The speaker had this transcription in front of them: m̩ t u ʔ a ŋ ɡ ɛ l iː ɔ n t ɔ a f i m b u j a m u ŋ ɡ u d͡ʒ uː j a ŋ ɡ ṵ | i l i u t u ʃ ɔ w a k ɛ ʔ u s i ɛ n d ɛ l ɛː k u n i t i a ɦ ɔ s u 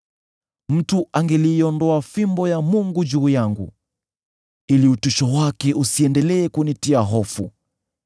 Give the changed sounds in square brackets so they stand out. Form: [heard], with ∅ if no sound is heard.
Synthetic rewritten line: m̩ t u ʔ a ŋ ɡ ɛ l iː ɔ n [d] ɔ a f i m b [ɔ] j a m u ŋ ɡ u d͡ʒ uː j a ŋ ɡ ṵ | i l i u t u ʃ ɔ w a k ɛ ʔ u s i ɛ n d ɛ l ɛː k u n i t i a ɦ ɔ [f] u